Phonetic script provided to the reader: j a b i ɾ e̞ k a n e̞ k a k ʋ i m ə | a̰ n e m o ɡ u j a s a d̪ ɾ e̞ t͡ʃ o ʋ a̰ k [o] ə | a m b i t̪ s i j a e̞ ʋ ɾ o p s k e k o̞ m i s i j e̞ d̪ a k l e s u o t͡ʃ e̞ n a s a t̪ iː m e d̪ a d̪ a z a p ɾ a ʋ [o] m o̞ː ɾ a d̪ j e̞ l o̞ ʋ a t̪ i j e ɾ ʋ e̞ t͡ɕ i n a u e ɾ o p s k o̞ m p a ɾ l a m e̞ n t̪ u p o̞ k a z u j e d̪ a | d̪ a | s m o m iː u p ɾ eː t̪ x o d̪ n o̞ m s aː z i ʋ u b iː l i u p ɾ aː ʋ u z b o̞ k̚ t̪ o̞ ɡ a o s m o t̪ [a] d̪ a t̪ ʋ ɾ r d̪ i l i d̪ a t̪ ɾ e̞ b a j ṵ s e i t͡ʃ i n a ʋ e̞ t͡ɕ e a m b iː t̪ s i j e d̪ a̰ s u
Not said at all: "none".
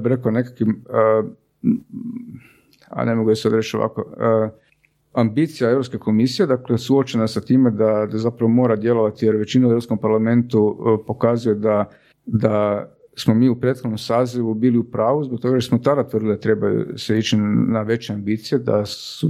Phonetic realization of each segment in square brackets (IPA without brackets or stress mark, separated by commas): o, o, a